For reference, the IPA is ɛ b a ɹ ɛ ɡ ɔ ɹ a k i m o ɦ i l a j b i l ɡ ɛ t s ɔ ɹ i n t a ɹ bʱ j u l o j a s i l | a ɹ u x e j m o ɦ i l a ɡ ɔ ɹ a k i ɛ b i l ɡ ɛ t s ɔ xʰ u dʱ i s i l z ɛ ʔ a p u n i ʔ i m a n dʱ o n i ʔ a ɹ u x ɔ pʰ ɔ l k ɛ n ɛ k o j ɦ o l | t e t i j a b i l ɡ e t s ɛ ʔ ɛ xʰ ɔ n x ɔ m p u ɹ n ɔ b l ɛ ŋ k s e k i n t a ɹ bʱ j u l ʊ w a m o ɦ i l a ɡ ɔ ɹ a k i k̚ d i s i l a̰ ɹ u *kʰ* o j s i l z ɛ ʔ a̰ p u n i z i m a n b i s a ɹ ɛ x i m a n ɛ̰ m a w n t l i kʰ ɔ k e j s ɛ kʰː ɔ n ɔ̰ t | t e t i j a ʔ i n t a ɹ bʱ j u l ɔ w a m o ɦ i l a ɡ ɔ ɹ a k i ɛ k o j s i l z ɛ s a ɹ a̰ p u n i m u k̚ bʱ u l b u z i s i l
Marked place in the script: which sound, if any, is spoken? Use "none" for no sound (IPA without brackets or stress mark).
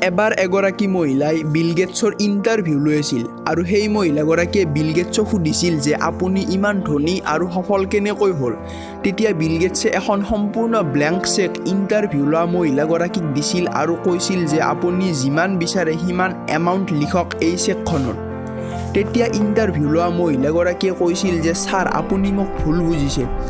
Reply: k